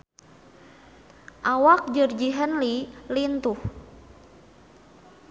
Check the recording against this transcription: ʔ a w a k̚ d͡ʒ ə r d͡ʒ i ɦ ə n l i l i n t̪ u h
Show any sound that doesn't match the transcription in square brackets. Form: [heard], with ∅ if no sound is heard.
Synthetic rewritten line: ʔ a w a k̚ d͡ʒ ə r d͡ʒ i ɦ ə n l i l i n t̪ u h